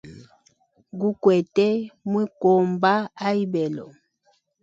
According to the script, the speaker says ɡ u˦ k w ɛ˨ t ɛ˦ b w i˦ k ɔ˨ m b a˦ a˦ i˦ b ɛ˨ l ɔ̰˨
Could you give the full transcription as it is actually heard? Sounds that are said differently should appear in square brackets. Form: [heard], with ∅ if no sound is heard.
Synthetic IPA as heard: ɡ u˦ k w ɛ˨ t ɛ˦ [m] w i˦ k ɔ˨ m b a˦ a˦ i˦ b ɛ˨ l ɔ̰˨